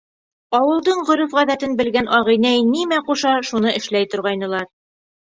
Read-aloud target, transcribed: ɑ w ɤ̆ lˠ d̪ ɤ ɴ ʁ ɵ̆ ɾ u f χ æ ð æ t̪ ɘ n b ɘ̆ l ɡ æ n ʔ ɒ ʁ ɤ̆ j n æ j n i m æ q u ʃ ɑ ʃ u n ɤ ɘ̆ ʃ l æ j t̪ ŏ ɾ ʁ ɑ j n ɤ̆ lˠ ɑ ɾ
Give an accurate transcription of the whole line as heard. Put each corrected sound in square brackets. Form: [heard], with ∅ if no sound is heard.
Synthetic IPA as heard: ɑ w ɤ̆ lˠ d̪ ɤ ɴ ʁ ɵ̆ ɾ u f [ʁ] æ ð æ t̪ ɘ n b ɘ̆ l ɡ æ n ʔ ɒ ʁ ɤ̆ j n æ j n i m æ q u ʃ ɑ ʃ u n ɤ ɘ̆ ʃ l æ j t̪ ŏ ɾ ʁ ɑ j n ɤ̆ lˠ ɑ ɾ

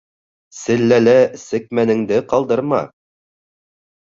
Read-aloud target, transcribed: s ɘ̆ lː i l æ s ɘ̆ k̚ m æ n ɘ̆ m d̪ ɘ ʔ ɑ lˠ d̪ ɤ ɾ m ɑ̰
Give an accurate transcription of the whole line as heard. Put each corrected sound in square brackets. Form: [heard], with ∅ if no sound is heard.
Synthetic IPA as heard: s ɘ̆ lː [æ] l æ s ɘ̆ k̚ m æ n ɘ̆ [ŋ] d̪ ɘ [q] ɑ lˠ d̪ ɤ ɾ m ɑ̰

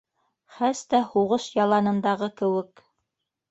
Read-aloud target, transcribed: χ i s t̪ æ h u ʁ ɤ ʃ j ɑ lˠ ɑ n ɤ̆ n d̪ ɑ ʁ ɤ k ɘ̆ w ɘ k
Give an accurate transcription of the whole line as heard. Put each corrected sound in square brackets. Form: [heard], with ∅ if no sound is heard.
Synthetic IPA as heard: χ [æ] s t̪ æ h u ʁ ɤ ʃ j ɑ lˠ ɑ n ɤ̆ n d̪ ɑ ʁ ɤ k ɘ̆ w ɘ k

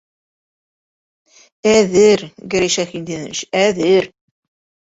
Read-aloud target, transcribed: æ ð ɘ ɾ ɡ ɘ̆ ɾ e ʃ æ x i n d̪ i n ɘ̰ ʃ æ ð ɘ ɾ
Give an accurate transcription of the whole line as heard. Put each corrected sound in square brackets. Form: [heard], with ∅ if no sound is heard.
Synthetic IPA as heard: æ ð ɘ ɾ ɡ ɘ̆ ɾ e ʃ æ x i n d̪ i n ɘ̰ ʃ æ ð ɘ ɾ

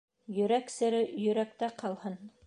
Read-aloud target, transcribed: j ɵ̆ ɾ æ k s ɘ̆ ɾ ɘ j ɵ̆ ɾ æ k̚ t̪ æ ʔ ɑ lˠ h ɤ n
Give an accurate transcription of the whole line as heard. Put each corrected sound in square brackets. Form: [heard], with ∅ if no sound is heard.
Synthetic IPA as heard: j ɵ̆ ɾ æ k s ɘ̆ ɾ ɘ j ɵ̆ ɾ æ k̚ t̪ æ [q] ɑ lˠ h ɤ n

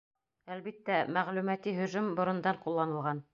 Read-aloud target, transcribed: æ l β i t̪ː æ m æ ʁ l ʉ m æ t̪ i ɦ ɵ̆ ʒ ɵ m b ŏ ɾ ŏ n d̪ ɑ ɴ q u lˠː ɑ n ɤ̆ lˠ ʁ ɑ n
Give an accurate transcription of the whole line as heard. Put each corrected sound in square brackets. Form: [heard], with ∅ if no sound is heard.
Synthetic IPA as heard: æ l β i t̪ː æ m æ ʁ l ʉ m æ t̪ i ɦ ɵ̆ ʒ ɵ m b ŏ ɾ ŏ n d̪ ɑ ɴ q u lˠː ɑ n ɤ̆ lˠ ʁ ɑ n

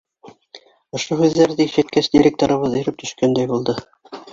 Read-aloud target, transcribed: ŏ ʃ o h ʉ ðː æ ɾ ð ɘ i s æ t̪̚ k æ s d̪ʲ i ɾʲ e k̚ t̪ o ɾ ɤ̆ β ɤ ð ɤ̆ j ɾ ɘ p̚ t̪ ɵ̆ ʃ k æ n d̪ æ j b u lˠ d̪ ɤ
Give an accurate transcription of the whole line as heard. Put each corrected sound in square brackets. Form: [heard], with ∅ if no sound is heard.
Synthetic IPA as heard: ŏ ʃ o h ʉ ðː æ ɾ ð ɘ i [ʃ] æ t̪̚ k æ s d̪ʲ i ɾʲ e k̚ t̪ o ɾ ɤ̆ β ɤ ð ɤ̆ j ɾ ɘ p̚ t̪ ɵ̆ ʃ k æ n d̪ æ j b u lˠ d̪ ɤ

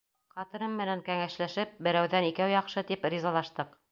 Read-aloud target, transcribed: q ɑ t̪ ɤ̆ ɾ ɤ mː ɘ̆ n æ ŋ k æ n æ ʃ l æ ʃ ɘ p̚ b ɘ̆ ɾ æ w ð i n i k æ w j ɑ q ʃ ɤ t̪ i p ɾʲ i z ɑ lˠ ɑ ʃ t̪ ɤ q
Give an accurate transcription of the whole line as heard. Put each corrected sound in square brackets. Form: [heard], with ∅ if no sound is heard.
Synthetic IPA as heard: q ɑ t̪ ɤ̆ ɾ ɤ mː ɘ̆ n æ ŋ k æ [ŋ] æ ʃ l æ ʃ ɘ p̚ b ɘ̆ ɾ æ w ð [æ] n i k æ w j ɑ q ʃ ɤ t̪ i p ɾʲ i z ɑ lˠ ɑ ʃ t̪ ɤ q

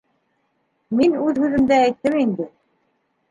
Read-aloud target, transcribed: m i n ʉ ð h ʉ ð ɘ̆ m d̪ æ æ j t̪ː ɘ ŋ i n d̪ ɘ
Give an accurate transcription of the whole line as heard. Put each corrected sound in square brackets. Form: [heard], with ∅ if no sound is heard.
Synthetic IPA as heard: m i n ʉ ð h ʉ ð ɘ̆ m d̪ æ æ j t̪ː ɘ [m] i n d̪ ɘ

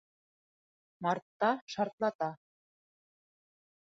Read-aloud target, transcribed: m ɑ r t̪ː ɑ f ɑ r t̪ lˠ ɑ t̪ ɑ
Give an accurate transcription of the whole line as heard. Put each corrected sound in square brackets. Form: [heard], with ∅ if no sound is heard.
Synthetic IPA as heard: m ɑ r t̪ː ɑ [ʃ] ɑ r t̪ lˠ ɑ t̪ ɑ

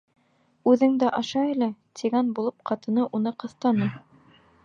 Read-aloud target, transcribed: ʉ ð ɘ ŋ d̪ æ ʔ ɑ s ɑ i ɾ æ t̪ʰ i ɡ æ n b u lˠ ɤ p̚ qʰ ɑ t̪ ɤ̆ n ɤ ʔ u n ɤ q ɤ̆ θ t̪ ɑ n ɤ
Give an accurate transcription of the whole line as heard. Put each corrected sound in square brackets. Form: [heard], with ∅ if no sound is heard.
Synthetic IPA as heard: ʉ ð ɘ ŋ d̪ æ ʔ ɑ [ʃ] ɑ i [l] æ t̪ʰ i ɡ æ n b u lˠ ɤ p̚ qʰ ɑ t̪ ɤ̆ n ɤ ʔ u n ɤ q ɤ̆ θ t̪ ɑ n ɤ

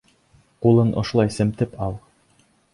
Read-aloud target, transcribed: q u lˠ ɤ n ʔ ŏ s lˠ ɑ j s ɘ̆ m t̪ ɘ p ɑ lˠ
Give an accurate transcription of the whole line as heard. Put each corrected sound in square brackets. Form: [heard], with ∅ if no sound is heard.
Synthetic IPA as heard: q u lˠ ɤ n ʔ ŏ [ʃ] lˠ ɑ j s ɘ̆ m t̪ ɘ p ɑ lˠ

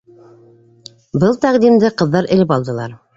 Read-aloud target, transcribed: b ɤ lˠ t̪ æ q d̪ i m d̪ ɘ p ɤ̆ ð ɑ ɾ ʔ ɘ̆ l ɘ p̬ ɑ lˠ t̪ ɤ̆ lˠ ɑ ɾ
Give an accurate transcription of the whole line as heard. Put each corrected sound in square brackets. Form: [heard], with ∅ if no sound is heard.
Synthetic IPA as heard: b ɤ lˠ t̪ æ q d̪ i m d̪ ɘ [q] ɤ̆ [ðː] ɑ ɾ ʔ ɘ̆ l ɘ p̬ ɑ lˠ [d̪] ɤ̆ lˠ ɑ ɾ

